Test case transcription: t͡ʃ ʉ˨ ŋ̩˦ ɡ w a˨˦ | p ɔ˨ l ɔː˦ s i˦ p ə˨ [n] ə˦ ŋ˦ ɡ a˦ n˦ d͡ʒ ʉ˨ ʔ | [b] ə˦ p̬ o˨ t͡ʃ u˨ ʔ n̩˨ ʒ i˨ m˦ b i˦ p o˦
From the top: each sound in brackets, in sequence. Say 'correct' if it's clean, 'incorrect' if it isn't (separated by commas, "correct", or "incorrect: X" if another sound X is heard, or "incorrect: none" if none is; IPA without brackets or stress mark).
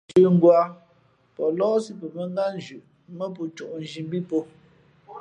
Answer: incorrect: m, incorrect: m